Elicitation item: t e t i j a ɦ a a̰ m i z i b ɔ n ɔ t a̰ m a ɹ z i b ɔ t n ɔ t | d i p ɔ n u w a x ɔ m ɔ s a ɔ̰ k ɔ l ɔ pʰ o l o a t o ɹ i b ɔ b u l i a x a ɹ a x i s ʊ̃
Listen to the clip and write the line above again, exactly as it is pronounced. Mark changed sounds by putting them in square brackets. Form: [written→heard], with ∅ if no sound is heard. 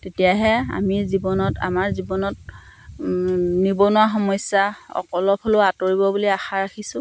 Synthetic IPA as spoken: t e t i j a ɦ [a→ɛ] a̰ m i z i b ɔ n ɔ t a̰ m a ɹ z i b ɔ [t→∅] n ɔ t | [d→n] i [p→b] ɔ n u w a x ɔ m ɔ s a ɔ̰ k ɔ l ɔ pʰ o l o a t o ɹ i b ɔ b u l i a x a ɹ a x i s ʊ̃